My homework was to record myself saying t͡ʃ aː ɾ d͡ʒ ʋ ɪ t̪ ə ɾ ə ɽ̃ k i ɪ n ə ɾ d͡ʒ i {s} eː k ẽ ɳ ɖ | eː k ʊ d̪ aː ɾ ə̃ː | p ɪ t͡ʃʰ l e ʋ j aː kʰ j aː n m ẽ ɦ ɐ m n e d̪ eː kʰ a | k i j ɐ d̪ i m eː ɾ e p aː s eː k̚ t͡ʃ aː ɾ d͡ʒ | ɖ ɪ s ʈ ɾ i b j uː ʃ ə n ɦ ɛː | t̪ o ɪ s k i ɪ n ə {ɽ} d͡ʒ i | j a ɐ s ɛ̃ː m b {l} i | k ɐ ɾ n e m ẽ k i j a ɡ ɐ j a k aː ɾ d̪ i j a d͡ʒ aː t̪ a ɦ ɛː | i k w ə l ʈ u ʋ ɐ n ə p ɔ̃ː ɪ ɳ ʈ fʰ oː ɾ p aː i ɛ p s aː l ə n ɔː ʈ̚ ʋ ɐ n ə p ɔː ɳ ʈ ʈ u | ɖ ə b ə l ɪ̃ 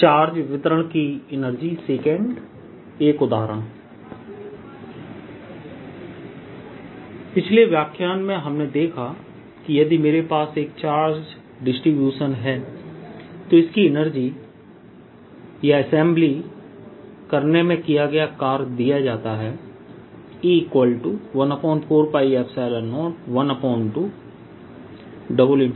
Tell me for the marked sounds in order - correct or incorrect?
correct, incorrect: ɾ, correct

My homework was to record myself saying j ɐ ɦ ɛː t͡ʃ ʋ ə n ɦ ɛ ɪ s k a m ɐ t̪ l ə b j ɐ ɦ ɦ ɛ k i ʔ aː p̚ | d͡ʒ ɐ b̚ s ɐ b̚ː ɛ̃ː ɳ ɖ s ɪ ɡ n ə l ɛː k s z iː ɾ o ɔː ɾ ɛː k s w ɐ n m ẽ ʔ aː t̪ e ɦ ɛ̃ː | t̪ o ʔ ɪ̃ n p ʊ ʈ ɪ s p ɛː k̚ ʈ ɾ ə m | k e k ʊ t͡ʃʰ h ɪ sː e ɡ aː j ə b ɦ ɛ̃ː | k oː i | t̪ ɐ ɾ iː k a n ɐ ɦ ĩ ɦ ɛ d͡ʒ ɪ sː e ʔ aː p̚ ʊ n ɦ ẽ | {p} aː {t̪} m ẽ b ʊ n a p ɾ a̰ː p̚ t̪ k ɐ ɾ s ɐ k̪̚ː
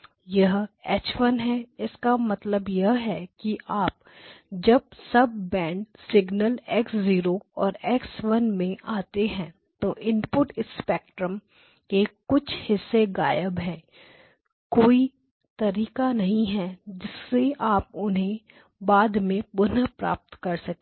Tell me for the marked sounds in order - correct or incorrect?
incorrect: b, incorrect: d̪

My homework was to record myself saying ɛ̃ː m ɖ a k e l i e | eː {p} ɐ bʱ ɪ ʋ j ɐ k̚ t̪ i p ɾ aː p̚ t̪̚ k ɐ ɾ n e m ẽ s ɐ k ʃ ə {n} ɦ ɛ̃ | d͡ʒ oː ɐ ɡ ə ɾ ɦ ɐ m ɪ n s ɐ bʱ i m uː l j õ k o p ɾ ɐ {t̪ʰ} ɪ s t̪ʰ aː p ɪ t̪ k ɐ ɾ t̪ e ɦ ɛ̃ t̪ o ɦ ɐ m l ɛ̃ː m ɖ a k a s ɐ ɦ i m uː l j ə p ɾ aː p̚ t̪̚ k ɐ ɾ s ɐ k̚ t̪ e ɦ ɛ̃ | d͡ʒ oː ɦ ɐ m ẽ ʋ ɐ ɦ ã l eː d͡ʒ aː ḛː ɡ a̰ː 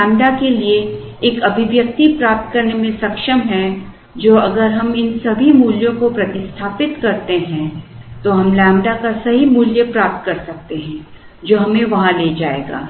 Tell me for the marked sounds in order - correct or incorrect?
incorrect: k, incorrect: m, incorrect: t̪

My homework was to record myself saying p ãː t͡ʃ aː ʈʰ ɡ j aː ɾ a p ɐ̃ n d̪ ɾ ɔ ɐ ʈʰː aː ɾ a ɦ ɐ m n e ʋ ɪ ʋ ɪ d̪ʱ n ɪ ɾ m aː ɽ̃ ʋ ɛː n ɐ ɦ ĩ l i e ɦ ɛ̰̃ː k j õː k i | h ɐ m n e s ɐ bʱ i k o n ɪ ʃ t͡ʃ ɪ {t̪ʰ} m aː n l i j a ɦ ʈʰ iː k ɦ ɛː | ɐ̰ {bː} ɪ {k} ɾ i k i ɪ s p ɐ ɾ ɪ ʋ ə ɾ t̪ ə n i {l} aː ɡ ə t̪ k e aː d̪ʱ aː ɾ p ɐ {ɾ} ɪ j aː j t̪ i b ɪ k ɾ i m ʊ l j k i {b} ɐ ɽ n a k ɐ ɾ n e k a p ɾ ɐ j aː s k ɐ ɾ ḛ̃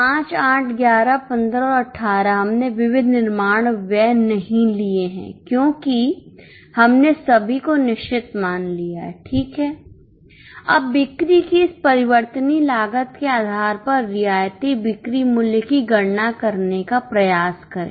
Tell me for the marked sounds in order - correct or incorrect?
incorrect: t̪, correct, correct, correct, incorrect: ɾː, incorrect: ɡ

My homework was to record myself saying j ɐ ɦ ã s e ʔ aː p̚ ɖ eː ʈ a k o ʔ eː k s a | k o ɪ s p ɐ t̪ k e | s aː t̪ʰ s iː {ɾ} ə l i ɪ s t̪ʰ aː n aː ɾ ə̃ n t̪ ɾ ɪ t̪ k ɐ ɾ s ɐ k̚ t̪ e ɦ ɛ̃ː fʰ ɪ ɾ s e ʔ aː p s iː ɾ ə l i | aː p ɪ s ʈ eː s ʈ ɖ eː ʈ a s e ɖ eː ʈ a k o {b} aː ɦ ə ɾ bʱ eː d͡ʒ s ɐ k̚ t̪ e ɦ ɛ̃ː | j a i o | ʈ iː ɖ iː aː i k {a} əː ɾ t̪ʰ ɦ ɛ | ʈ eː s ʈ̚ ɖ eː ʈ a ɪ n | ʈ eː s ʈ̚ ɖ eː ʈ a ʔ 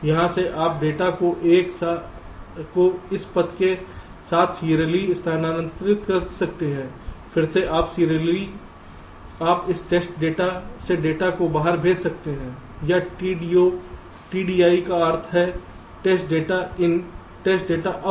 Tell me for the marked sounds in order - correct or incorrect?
correct, correct, correct

